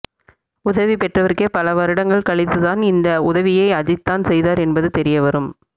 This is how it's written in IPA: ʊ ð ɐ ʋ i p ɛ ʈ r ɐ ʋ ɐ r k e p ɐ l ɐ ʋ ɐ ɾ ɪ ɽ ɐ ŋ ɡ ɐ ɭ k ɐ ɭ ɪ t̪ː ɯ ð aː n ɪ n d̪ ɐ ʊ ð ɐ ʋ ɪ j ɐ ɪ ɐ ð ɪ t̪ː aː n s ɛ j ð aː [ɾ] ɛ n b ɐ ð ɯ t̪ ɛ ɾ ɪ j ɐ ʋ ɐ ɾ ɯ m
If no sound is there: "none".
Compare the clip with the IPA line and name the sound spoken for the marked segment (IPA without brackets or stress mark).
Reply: ɾ